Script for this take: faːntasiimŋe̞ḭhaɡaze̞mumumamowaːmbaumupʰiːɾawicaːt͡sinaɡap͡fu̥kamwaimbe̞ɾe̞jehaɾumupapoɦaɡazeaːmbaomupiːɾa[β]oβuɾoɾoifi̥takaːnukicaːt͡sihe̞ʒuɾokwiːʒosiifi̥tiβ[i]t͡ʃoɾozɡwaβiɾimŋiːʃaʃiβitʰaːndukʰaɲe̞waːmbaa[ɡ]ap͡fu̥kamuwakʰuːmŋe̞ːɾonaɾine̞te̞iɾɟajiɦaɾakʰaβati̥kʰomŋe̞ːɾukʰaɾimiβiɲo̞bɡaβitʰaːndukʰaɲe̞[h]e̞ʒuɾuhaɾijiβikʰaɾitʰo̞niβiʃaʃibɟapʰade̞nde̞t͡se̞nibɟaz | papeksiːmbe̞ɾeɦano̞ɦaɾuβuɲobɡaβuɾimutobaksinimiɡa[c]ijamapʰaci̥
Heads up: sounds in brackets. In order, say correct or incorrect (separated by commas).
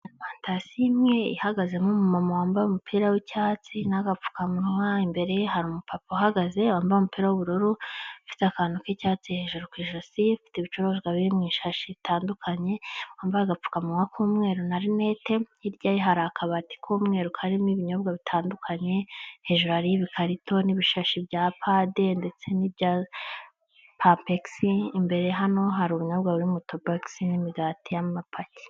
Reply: incorrect, correct, correct, correct, incorrect